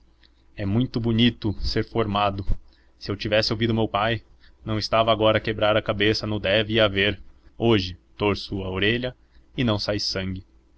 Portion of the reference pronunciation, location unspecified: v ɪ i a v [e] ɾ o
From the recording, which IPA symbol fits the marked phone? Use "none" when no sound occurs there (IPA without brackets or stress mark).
e